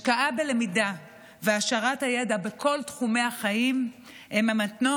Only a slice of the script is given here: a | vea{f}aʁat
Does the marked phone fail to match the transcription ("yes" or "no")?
yes